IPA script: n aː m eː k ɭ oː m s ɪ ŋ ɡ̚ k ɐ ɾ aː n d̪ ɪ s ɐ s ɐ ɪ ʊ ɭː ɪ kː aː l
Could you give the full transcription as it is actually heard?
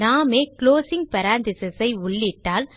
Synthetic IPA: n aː m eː k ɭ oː s ɪ ŋ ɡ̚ p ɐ ɾ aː n d̪ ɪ s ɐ s ɐ ɪ ʊ ɭː ɪ ʈː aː l